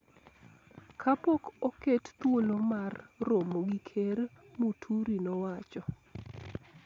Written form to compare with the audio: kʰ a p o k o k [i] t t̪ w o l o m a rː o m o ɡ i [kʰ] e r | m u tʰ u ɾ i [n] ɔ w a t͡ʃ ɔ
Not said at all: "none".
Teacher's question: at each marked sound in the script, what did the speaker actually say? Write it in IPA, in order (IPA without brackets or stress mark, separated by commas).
e, kʰ, n